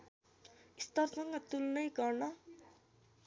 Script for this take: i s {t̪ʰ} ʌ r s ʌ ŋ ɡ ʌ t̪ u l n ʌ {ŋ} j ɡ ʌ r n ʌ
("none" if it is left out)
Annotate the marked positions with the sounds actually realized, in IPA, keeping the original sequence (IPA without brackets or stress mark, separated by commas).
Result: t̪, none